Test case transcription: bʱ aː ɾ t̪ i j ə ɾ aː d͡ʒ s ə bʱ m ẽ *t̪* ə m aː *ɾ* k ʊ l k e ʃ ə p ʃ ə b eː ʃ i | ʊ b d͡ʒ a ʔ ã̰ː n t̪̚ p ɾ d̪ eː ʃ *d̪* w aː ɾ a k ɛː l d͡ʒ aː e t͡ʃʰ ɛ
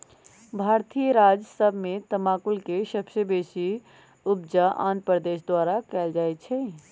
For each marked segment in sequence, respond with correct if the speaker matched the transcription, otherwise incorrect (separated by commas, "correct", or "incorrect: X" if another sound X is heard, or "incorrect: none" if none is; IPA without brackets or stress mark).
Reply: correct, incorrect: none, correct